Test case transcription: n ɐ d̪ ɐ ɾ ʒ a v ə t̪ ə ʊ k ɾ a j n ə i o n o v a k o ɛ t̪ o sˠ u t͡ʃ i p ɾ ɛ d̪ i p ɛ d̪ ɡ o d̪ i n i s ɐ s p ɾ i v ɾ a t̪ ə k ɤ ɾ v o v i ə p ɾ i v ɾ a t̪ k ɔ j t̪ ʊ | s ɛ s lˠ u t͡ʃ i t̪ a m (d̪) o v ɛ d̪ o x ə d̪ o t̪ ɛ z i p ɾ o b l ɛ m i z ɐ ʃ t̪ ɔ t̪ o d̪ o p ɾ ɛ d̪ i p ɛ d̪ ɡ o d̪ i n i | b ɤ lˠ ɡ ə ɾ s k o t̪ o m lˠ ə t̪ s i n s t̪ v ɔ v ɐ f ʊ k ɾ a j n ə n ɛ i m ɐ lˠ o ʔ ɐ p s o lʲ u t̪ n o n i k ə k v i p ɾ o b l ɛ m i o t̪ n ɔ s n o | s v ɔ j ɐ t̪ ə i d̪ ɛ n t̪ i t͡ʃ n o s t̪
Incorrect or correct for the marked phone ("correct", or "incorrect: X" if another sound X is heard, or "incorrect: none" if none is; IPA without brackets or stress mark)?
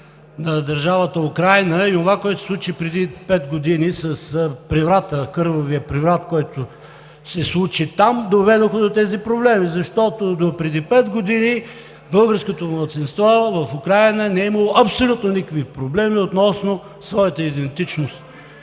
correct